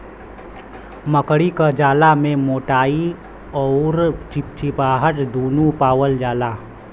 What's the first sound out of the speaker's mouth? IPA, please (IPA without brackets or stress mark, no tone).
m